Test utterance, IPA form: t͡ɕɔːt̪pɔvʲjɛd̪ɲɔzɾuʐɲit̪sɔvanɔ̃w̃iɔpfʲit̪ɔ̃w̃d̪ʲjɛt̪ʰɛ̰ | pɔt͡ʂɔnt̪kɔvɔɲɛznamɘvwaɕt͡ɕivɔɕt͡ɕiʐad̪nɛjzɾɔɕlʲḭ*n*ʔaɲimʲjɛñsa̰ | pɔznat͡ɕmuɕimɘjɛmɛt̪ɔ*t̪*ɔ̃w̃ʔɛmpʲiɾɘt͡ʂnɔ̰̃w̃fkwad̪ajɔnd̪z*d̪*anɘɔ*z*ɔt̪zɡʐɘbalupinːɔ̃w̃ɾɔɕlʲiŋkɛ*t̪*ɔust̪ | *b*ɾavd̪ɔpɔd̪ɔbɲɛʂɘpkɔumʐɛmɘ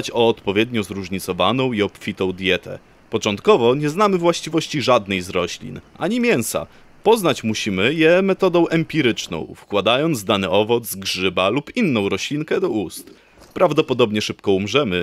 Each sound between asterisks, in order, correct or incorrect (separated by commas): correct, incorrect, correct, incorrect, incorrect, incorrect